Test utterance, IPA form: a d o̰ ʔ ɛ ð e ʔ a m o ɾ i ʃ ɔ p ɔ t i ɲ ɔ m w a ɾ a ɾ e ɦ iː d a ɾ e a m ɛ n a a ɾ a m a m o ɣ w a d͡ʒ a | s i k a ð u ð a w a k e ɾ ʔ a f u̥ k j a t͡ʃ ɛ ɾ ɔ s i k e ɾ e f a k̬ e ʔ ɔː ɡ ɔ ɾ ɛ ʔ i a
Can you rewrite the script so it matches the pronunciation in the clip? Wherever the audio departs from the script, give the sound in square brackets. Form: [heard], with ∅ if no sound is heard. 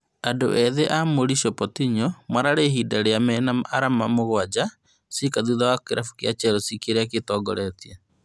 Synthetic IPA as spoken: a d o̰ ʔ ɛ ð e ʔ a m o ɾ i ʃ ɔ p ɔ t i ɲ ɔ m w a ɾ a ɾ e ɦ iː d a ɾ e a m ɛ n a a ɾ a m a m o ɣ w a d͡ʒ a | s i k a ð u ð a w a k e ɾ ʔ a f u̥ k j a t͡ʃ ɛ ɾ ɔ s i k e ɾ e [∅] a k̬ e [t] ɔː ɡ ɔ ɾ ɛ [t] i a